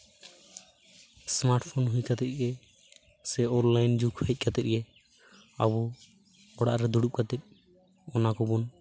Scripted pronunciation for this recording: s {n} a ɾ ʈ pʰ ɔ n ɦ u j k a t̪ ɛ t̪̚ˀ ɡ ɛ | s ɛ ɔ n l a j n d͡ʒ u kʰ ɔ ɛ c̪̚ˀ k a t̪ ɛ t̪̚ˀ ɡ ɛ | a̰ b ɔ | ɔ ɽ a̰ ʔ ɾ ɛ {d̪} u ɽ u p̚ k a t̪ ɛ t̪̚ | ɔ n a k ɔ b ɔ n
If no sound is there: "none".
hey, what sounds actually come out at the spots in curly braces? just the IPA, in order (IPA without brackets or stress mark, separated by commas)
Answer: m, d̪